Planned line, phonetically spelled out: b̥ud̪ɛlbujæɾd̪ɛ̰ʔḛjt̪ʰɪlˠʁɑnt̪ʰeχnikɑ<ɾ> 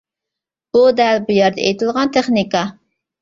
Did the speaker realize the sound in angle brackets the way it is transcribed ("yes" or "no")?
no